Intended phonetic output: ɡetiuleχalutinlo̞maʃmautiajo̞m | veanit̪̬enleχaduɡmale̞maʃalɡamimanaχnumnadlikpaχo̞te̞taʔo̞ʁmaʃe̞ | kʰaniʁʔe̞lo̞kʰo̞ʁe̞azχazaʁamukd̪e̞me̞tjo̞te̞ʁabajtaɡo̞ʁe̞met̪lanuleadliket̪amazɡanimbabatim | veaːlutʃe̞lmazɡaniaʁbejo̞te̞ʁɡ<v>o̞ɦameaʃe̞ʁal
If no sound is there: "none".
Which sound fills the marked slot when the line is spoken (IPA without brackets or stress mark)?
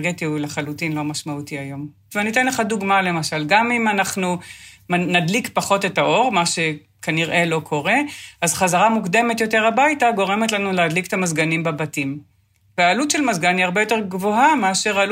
v